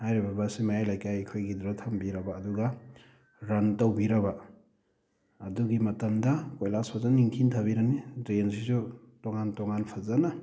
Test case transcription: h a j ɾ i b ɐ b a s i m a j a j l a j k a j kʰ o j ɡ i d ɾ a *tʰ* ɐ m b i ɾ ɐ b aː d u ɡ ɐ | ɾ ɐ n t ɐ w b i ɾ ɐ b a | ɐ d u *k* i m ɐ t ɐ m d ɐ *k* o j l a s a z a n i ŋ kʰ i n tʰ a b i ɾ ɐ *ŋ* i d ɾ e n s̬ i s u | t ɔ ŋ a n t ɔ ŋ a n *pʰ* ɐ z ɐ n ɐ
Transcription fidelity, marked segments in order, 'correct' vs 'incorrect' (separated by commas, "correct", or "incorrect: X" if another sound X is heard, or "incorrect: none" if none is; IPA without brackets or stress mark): correct, incorrect: ɡ, correct, incorrect: n, correct